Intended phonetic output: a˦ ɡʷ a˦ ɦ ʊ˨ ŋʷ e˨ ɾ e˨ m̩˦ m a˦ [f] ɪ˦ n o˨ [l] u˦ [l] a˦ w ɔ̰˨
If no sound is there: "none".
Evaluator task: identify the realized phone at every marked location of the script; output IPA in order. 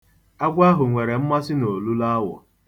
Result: s, l, l

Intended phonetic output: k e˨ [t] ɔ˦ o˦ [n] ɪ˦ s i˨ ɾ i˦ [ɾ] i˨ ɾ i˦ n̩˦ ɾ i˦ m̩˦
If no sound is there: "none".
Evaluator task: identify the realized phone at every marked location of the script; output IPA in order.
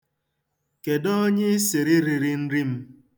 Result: d, ɲ, ɾ

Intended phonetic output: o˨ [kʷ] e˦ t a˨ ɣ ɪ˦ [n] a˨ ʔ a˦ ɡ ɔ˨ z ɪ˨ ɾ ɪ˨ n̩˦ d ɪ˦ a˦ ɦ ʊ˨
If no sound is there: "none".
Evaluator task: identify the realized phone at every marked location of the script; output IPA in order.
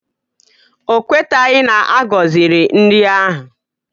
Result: kʷ, n

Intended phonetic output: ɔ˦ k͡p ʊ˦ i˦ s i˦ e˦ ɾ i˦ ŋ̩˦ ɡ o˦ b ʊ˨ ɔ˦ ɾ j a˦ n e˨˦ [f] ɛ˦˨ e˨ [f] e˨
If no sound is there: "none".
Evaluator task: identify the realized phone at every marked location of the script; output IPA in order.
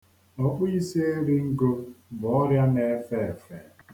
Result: f, f

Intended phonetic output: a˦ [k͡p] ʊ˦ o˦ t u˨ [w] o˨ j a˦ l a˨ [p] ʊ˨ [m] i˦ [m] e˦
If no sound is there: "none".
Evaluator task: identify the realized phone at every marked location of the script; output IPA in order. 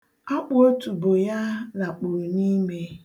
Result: k͡p, b, k͡p, n, m

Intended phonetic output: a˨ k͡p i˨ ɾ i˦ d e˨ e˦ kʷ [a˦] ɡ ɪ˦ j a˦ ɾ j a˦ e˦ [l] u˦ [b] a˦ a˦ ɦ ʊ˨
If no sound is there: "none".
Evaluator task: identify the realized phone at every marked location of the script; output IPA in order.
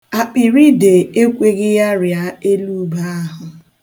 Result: e˦, l, b

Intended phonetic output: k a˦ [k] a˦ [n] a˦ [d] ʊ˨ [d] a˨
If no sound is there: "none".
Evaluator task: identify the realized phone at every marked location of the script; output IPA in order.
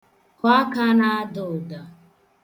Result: k, n, d, d

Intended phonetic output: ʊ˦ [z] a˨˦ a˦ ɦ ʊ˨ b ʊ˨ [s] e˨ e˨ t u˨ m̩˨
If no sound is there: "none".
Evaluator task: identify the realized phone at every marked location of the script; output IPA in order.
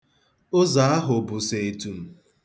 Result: z, s

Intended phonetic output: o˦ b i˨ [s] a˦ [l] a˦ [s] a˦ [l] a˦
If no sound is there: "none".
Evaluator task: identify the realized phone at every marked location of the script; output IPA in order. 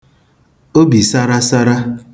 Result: s, ɾ, s, ɾ

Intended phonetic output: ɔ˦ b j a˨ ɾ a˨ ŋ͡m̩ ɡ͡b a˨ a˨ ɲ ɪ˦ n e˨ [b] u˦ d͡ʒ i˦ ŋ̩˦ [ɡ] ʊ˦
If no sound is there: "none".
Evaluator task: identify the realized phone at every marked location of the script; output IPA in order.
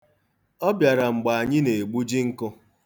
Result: ɡ͡b, k

